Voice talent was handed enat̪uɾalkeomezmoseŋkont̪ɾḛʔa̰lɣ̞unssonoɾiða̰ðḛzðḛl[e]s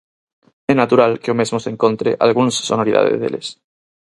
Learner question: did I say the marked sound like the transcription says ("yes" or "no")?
yes